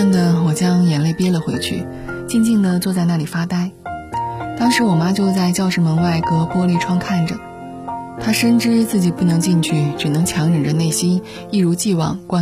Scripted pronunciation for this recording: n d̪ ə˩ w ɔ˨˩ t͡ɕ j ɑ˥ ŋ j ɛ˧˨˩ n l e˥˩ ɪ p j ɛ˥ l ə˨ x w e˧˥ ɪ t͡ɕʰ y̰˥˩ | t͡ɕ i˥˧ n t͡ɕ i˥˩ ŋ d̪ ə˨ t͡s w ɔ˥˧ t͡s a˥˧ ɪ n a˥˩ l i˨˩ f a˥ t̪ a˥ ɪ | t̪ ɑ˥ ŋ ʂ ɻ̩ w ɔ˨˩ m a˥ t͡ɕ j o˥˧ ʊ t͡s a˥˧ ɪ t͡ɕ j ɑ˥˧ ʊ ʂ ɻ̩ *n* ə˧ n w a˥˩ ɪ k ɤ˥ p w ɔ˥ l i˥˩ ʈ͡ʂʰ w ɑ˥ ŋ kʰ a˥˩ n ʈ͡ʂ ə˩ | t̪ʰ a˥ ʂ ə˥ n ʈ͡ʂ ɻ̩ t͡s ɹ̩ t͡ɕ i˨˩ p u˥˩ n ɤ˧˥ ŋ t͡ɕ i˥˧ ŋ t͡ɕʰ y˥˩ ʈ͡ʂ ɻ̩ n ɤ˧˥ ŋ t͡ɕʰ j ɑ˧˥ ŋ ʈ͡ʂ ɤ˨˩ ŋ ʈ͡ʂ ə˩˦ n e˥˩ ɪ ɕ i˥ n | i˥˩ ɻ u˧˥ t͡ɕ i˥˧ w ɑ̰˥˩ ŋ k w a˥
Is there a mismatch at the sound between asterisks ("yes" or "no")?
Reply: yes